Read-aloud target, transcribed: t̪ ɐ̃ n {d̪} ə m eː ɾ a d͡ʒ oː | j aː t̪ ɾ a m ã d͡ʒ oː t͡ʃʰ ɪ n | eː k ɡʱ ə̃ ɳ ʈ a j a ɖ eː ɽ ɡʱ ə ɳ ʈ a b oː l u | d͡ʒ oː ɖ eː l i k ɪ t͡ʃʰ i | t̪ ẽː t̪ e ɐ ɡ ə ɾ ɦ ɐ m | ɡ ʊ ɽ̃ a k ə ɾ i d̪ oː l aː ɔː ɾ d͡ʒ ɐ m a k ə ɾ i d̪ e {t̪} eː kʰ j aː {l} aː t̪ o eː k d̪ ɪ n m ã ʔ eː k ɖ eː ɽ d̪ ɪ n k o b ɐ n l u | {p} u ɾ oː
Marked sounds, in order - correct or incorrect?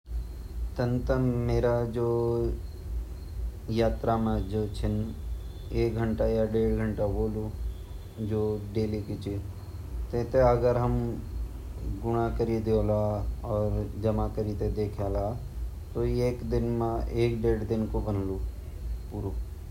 incorrect, incorrect, correct, correct

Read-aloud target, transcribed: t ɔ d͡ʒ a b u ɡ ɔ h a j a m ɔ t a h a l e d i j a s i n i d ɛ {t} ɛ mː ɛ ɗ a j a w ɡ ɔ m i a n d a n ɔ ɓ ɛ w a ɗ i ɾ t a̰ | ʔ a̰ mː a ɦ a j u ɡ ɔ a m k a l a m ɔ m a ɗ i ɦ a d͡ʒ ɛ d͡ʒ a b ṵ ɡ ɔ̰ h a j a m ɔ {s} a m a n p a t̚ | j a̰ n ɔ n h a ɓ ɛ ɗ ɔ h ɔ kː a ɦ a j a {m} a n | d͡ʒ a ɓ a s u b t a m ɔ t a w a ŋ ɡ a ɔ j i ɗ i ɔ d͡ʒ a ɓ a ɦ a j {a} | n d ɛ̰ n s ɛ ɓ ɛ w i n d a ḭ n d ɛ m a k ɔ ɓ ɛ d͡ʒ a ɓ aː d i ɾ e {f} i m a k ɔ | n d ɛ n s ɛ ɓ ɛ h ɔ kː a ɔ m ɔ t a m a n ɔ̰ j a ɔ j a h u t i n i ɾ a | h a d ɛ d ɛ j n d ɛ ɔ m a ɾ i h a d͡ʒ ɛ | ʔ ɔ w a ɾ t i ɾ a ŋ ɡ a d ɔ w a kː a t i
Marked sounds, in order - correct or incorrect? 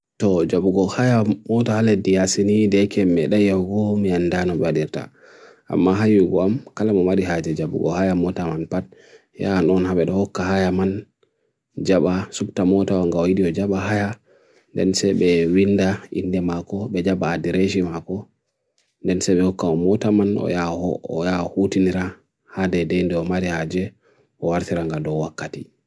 incorrect, incorrect, correct, correct, incorrect

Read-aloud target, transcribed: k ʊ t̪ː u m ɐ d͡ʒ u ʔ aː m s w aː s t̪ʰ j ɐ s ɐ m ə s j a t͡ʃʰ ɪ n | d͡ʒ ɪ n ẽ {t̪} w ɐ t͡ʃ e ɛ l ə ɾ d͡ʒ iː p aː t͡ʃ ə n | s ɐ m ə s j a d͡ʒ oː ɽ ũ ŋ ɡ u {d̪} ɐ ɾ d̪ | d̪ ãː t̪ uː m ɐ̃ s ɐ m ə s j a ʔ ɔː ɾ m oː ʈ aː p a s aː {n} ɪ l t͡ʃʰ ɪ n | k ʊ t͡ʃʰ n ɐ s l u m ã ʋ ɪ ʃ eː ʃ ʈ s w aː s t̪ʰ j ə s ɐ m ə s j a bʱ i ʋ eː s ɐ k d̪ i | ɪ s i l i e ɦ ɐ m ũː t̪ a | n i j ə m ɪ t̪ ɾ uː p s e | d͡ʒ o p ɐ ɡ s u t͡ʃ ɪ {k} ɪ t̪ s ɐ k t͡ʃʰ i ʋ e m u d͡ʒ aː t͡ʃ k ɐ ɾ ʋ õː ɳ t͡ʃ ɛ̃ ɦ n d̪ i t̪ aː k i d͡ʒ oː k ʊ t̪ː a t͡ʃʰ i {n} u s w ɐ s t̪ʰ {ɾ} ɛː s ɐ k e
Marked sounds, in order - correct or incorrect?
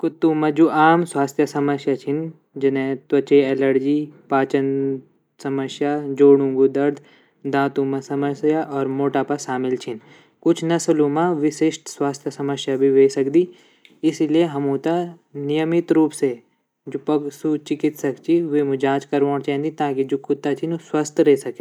correct, correct, incorrect, correct, correct, correct

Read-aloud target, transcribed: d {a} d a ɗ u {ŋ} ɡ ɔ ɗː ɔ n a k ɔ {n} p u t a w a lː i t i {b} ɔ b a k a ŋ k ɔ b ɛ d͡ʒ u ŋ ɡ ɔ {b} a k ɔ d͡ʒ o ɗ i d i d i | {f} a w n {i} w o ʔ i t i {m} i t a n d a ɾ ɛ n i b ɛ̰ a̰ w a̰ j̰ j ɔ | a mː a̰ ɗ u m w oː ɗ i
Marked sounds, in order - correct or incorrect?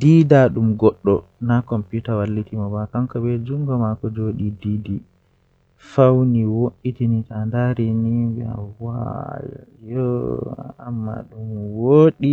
incorrect, incorrect, incorrect, incorrect, incorrect, correct, correct, incorrect

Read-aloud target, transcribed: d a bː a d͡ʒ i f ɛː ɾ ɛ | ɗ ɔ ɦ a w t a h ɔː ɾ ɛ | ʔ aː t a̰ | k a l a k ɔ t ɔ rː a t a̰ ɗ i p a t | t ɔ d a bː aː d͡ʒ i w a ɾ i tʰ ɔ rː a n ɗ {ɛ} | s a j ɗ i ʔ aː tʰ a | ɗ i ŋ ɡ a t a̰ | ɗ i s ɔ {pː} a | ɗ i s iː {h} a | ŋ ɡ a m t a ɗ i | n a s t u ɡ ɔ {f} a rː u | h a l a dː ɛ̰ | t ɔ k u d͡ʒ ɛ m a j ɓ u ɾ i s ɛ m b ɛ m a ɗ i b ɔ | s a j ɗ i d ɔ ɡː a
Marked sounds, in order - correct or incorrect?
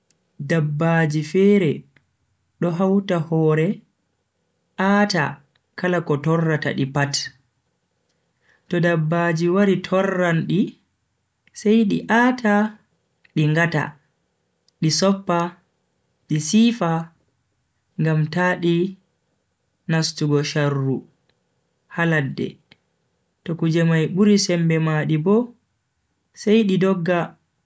incorrect, correct, incorrect, incorrect

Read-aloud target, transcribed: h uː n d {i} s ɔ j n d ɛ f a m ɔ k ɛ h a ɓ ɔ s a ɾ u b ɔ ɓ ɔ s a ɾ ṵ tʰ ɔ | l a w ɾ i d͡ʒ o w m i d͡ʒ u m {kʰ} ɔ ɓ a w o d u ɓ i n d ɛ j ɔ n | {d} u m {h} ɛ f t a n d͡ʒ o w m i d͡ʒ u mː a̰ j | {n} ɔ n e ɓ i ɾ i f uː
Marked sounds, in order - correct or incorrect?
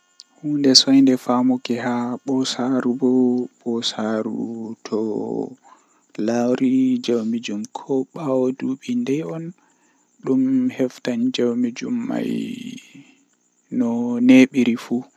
incorrect, correct, incorrect, correct, correct

